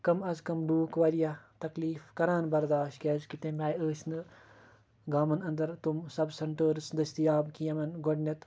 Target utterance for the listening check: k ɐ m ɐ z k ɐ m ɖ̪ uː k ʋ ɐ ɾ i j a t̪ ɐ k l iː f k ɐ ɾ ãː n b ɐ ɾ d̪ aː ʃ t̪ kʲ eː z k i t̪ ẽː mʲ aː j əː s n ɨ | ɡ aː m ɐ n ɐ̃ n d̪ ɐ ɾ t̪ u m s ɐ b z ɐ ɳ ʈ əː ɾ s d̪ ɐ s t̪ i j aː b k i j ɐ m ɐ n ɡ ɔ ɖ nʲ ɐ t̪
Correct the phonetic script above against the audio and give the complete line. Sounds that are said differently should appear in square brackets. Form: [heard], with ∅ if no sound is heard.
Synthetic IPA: k ɐ m ɐ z k ɐ m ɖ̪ uː k ʋ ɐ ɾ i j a t̪ ɐ k l iː f k ɐ ɾ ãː n b ɐ ɾ d̪ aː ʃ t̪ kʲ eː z k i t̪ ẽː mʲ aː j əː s n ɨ | ɡ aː m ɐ n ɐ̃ n d̪ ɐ ɾ t̪ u m s ɐ b [s] ɐ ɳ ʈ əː ɾ s d̪ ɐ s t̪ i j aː b k i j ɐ m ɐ n ɡ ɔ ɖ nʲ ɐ t̪